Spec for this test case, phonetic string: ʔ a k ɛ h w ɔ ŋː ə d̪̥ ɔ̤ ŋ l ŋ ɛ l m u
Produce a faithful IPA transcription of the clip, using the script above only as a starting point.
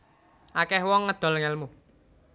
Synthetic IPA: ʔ a k ɛ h w ɔ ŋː ə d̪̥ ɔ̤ l ŋ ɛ l m u